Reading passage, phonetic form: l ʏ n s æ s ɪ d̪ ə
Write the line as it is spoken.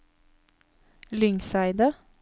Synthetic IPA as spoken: l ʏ ŋ s æ ɪ d̪ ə